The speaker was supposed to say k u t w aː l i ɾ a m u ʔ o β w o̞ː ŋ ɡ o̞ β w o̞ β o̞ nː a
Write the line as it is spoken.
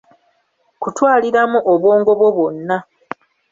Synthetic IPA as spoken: k u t w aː l i ɾ a m u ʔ o β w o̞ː ŋ ɡ o̞ β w o̞ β o̞ nː a